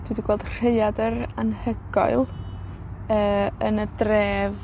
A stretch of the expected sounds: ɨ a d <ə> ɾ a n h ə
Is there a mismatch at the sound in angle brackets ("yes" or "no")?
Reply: no